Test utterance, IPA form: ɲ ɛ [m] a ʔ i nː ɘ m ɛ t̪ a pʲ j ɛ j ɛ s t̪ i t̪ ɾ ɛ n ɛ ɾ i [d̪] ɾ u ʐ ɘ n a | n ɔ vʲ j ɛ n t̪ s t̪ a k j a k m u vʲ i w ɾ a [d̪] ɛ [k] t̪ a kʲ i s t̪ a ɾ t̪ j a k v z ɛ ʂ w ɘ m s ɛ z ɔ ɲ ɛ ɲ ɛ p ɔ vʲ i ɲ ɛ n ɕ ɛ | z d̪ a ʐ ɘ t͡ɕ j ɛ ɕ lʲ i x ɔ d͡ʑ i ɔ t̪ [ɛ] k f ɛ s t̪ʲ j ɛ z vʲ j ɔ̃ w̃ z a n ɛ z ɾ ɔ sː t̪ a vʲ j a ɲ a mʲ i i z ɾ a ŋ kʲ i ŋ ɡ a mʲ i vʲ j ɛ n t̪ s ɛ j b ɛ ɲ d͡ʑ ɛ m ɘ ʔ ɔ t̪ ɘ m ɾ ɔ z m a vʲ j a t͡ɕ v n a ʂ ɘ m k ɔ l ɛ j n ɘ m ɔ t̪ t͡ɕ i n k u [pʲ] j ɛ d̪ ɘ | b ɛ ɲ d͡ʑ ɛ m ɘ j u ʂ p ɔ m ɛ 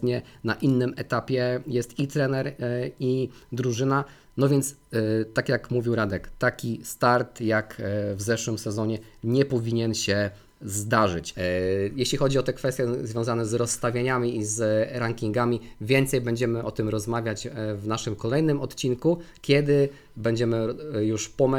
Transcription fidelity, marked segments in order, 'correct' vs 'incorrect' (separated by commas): incorrect, correct, correct, correct, correct, incorrect